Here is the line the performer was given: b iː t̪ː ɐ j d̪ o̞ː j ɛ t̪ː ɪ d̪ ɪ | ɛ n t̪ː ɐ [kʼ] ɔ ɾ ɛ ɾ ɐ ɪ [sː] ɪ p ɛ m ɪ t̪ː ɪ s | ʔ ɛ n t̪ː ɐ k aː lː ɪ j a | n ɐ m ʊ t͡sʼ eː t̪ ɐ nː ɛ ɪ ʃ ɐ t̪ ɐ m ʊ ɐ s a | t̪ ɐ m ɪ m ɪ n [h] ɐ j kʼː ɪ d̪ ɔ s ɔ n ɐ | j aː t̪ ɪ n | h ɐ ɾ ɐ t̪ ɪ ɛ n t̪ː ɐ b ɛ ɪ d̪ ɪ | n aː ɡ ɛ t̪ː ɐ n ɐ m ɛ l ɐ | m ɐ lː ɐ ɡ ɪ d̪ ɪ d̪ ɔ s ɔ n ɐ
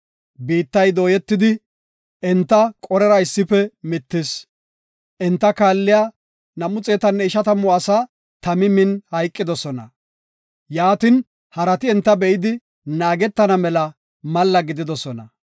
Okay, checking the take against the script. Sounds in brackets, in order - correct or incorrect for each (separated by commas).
correct, correct, correct